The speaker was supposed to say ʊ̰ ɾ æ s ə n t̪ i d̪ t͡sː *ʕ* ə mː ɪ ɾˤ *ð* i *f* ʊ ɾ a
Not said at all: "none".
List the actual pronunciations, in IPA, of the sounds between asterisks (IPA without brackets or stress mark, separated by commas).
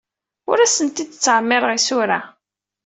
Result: ʕ, ʁ, s